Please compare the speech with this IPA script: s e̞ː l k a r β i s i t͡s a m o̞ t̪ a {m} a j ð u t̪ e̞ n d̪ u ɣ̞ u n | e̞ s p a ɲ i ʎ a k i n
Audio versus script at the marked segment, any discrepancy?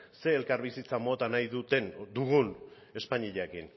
yes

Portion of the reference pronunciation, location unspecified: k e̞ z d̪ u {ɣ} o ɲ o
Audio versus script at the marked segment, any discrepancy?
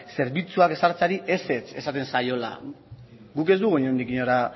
no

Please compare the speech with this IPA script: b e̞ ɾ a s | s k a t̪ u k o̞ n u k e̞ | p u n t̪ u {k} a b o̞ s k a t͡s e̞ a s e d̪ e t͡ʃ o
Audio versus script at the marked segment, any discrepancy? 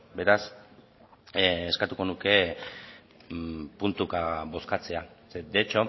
no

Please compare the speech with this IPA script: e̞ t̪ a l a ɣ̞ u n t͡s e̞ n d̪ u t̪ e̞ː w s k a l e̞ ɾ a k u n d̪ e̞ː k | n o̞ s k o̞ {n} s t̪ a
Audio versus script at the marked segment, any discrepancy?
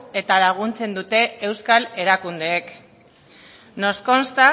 no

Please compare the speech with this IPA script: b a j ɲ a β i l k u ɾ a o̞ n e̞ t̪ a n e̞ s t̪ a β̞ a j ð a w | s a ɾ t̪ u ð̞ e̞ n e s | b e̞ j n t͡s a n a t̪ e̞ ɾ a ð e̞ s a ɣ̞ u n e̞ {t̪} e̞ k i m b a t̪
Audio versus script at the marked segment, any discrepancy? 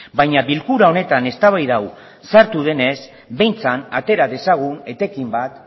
no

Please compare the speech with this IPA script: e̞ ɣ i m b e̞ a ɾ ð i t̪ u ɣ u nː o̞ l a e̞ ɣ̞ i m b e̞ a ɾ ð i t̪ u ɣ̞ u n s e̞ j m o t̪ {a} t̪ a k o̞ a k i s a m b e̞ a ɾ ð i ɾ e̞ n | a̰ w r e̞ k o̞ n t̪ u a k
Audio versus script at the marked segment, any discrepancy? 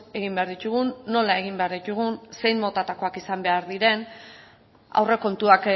no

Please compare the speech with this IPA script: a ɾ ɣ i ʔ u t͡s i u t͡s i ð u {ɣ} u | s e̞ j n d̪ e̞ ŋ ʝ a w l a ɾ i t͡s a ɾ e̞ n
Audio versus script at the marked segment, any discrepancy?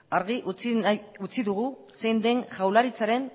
no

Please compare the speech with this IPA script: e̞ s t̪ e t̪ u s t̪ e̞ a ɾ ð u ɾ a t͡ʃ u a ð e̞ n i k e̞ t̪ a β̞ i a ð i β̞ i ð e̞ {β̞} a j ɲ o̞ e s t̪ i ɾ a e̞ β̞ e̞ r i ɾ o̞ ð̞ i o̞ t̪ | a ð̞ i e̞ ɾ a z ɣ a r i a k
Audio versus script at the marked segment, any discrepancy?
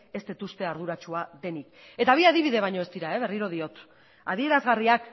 no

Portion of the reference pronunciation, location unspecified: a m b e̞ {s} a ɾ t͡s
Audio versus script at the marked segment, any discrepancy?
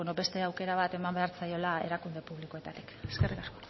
yes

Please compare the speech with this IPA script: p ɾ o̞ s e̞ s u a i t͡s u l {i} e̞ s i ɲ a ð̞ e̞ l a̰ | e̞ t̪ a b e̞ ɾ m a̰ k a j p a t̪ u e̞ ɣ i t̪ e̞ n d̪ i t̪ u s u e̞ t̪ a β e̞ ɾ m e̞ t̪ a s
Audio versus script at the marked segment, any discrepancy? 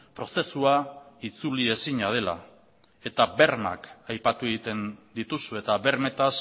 no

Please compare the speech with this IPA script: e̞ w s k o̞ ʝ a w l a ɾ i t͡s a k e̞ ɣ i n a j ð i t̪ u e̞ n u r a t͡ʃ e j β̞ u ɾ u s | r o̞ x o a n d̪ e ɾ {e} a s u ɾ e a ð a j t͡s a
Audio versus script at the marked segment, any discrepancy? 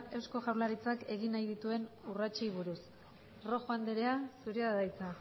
no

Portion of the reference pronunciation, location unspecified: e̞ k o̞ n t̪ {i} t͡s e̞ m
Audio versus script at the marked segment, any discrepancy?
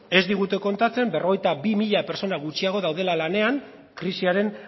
yes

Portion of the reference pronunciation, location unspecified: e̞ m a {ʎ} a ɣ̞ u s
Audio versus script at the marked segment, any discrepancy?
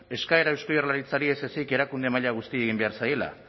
no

